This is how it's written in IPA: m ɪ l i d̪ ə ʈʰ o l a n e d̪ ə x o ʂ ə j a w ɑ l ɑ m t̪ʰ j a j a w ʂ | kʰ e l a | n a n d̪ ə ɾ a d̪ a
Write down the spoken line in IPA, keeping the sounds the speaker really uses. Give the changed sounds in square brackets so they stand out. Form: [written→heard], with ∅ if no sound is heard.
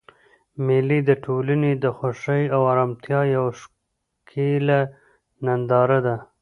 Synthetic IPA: m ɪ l i d̪ ə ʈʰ o l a n e d̪ ə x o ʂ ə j a w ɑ [l→ɾ] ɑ m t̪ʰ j [a→ɑ] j a w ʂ | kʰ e l a | n a n d̪ [ə→ɑ] ɾ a d̪ a